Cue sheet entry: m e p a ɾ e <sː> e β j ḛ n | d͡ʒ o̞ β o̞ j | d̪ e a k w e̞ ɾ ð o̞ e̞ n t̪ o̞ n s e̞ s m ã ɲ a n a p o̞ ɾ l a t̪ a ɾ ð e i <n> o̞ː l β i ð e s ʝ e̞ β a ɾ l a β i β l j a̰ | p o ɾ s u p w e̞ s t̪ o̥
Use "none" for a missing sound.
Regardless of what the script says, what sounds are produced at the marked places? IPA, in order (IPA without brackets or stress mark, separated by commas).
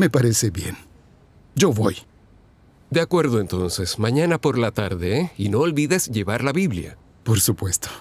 s, n